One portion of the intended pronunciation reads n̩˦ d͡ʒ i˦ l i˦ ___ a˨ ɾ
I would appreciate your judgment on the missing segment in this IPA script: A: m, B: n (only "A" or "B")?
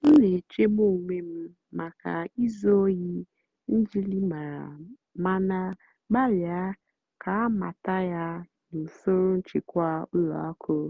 A